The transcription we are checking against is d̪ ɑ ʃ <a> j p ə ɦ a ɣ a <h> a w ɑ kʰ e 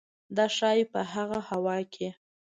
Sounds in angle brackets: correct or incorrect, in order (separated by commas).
incorrect, correct